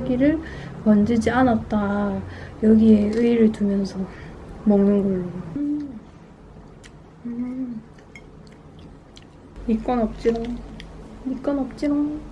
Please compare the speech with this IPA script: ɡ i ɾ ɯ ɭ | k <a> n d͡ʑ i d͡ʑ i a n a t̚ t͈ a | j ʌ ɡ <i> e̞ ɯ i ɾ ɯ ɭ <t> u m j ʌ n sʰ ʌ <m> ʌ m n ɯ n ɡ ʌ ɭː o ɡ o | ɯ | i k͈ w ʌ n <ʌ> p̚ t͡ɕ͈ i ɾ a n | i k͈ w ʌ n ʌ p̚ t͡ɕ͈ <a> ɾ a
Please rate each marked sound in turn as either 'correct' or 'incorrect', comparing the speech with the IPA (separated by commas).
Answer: incorrect, correct, correct, correct, correct, incorrect